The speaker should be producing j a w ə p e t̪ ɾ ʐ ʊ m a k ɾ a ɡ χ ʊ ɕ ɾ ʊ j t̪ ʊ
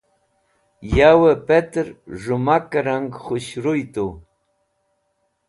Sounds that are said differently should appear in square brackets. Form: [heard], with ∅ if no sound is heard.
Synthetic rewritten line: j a w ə p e t̪ ɾ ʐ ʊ m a k ɾ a [ŋ] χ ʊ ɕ ɾ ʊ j t̪ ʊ